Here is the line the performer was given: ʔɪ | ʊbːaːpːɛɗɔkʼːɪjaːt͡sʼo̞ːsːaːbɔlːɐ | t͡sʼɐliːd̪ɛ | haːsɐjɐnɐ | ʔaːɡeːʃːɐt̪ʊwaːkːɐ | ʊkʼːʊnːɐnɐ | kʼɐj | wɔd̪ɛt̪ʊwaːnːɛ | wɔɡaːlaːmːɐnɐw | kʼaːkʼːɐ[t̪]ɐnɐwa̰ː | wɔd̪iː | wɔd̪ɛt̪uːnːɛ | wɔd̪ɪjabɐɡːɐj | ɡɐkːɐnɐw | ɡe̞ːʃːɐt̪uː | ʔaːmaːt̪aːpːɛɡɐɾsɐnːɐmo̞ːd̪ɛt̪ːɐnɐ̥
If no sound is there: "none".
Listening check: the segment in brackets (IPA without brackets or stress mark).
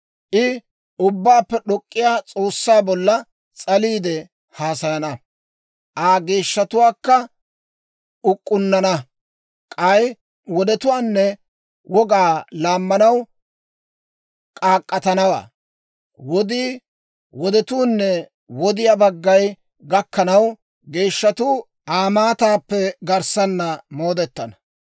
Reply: t̪